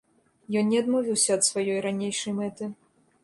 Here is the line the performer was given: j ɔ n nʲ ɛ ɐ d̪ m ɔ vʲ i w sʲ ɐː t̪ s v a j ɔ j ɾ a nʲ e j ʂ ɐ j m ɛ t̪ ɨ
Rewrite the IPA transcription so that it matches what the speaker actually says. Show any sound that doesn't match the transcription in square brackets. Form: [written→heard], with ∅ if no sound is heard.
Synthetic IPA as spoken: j ɔ n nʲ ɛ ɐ d̪ m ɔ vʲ i w sʲ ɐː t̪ s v a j ɔ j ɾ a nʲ e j ʂ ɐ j m ɛ t̪ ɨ

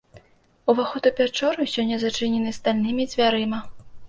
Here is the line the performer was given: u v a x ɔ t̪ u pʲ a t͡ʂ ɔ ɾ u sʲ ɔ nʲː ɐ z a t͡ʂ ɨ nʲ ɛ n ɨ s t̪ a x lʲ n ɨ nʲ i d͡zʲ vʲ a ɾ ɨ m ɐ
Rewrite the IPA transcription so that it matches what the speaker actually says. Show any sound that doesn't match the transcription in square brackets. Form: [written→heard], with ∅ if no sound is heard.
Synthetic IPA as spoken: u v a x ɔ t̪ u pʲ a t͡ʂ ɔ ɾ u sʲ ɔ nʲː ɐ z a t͡ʂ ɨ nʲ ɛ n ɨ s t̪ a [x→∅] lʲ n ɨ [nʲ→mʲ] i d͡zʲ vʲ a ɾ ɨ m ɐ

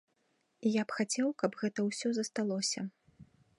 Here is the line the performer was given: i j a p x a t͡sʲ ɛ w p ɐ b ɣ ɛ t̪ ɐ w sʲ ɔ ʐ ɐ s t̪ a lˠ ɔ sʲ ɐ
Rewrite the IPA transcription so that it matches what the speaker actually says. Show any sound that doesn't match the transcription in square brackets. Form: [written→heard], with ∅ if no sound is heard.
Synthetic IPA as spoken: i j a p x a t͡sʲ ɛ w [p→k] ɐ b ɣ ɛ t̪ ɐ w sʲ ɔ [ʐ→z] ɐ s t̪ a lˠ ɔ sʲ ɐ

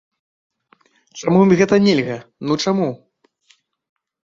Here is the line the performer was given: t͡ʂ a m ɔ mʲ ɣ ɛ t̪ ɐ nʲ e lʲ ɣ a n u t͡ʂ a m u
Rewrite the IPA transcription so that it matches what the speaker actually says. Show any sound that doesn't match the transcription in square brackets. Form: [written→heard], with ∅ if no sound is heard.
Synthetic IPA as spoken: t͡ʂ a m [ɔ→u] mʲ ɣ ɛ t̪ ɐ nʲ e lʲ ɣ [a→ɐ] n u t͡ʂ a m u

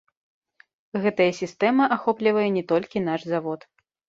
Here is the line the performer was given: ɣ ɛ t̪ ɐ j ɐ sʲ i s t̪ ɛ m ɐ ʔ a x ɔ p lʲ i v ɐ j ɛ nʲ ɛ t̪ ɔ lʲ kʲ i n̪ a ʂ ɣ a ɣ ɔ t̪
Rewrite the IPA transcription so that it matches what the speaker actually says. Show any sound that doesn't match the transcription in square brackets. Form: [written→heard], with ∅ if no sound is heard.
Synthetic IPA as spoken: ɣ ɛ t̪ ɐ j ɐ sʲ i s t̪ ɛ m ɐ ʔ a x ɔ p lʲ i v ɐ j ɛ nʲ ɛ t̪ ɔ lʲ kʲ i n̪ a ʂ [ɣ→z] a [ɣ→v] ɔ t̪

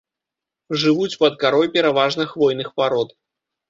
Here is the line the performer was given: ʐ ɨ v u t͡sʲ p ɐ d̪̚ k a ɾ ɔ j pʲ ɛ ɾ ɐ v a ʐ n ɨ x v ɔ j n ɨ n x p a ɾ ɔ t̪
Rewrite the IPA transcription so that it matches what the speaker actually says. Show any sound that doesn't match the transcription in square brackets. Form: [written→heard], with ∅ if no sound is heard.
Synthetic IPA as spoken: ʐ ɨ v u t͡sʲ p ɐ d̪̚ k a ɾ ɔ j pʲ ɛ ɾ [ɐ→a] v a ʐ n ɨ x v ɔ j n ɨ [n→∅] x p a ɾ ɔ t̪

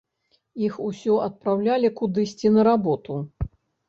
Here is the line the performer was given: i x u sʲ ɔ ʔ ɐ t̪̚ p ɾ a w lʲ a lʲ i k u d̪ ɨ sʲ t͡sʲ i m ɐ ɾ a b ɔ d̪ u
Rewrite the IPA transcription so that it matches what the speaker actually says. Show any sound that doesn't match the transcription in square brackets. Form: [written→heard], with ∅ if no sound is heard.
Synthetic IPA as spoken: i x u sʲ ɔ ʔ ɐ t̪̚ p ɾ a w lʲ a lʲ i k u d̪ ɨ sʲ t͡sʲ i [m→n] ɐ ɾ a b ɔ [d̪→t̪] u

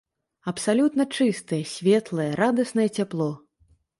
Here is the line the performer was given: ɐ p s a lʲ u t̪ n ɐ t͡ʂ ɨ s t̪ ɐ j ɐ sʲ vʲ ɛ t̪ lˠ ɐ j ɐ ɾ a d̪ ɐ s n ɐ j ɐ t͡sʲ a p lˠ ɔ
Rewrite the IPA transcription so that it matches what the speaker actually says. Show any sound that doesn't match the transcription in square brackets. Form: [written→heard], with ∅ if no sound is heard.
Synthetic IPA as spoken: ɐ p s a lʲ u t̪ n ɐ t͡ʂ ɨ s t̪ ɐ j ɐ sʲ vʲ ɛ t̪ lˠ ɐ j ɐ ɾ a d̪ ɐ s n ɐ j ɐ t͡sʲ a p lˠ ɔ

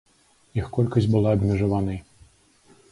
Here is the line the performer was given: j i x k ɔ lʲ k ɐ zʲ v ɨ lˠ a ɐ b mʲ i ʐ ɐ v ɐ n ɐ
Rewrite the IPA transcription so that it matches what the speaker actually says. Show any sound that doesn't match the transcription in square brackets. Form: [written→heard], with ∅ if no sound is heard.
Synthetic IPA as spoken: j i x k ɔ lʲ k ɐ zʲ [v→b] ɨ lˠ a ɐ b mʲ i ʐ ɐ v [ɐ→a] n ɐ

